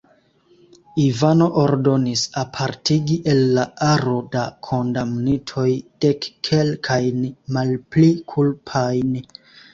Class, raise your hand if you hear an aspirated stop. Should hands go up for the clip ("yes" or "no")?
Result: yes